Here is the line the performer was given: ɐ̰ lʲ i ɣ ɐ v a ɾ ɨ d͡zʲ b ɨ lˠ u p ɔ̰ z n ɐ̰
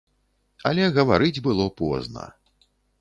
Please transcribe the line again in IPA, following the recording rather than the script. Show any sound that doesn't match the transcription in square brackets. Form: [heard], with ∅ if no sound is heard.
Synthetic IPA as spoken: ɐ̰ lʲ [ɛ] ɣ ɐ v a ɾ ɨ d͡zʲ b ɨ lˠ [ɔ] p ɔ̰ z n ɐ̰